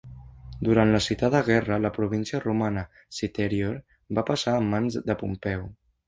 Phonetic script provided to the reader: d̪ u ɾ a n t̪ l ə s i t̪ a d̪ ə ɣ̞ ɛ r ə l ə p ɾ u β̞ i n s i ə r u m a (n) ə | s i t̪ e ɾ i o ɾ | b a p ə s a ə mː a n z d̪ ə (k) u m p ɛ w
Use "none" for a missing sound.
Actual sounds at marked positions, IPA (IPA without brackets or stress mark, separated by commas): n, p